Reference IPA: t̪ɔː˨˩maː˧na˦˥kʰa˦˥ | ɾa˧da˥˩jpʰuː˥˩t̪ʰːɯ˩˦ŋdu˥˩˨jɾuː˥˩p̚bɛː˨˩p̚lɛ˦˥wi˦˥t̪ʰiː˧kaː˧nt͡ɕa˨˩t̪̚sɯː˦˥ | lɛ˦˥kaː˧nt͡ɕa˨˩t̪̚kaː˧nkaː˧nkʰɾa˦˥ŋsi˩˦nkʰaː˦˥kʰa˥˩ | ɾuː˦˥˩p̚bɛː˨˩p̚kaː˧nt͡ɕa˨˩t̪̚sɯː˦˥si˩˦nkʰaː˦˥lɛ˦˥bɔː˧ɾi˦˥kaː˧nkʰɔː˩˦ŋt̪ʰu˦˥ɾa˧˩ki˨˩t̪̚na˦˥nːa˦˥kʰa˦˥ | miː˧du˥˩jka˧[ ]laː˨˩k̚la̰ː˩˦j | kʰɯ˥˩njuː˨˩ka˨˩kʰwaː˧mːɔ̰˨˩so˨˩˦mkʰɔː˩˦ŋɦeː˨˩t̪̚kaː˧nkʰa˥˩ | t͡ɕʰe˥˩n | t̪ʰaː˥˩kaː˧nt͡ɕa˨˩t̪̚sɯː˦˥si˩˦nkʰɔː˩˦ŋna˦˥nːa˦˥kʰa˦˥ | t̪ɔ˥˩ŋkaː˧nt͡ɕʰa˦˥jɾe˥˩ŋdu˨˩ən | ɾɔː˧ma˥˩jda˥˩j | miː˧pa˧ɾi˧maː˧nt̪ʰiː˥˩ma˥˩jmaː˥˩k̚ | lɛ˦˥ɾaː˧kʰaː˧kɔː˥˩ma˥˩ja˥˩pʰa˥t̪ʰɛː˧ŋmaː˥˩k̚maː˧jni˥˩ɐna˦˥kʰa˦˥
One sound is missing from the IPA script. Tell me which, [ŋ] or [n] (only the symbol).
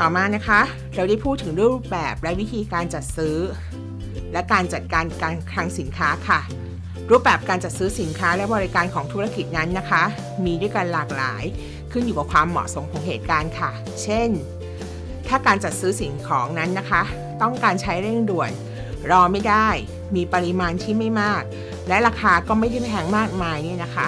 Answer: n